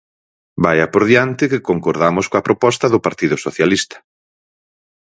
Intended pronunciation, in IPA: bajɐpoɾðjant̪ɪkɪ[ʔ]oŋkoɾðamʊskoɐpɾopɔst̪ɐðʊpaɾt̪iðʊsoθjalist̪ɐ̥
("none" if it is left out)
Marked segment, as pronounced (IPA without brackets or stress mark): k